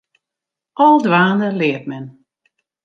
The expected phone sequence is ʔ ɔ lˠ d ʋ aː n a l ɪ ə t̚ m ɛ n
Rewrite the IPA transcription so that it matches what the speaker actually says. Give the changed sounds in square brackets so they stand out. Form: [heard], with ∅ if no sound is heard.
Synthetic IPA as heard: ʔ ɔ lˠ d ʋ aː n [ə] l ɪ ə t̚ m ɛ n